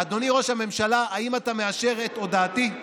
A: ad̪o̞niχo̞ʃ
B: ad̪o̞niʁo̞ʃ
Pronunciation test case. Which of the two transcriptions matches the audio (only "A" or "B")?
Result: B